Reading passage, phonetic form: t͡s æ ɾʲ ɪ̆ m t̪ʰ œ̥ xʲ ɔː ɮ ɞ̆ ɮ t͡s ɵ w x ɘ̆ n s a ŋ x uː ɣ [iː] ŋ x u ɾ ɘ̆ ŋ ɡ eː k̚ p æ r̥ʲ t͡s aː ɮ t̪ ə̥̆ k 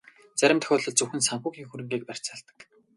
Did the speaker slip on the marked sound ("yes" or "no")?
no